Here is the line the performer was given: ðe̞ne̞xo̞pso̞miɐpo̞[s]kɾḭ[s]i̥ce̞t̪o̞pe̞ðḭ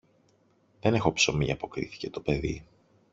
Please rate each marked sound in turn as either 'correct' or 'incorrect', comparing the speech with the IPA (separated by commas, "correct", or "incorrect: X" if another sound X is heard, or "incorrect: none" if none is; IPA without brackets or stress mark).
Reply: incorrect: none, incorrect: θ